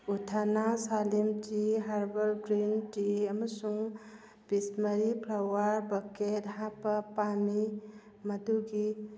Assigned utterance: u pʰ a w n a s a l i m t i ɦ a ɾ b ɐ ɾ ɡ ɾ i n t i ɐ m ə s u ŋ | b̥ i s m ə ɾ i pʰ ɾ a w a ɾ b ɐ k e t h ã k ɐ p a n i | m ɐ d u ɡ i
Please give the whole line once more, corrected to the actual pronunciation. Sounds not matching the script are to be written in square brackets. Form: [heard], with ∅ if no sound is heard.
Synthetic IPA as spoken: u [tʰ] a [∅] n a s a l i m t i ɦ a ɾ b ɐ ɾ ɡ ɾ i n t i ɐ m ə s u ŋ | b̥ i s m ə ɾ i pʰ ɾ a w a ɾ b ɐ k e t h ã [p] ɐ p a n i | m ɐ d u ɡ i